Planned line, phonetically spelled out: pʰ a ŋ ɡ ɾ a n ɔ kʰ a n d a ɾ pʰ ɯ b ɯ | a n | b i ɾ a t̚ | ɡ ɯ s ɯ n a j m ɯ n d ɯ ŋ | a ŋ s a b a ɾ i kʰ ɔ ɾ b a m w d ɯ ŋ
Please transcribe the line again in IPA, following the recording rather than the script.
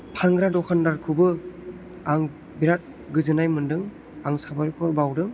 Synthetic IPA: pʰ a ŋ ɡ ɾ a d ɔ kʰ a n d a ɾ kʰ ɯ b ɯ | a ŋ | b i ɾ a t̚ | ɡ ɯ z ɯ n a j m ɯ n d ɯ ŋ | a ŋ s a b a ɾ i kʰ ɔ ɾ b a w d ɯ ŋ